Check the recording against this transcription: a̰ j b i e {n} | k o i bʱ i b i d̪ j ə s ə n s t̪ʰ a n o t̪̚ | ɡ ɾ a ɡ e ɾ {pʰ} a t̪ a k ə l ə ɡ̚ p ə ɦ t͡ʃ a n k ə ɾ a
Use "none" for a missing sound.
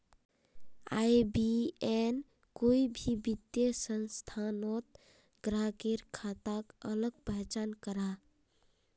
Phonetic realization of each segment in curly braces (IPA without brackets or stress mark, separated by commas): n, kʰ